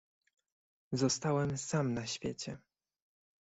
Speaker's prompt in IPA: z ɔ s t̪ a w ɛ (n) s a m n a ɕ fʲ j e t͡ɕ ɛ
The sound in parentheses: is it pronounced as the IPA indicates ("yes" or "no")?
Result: no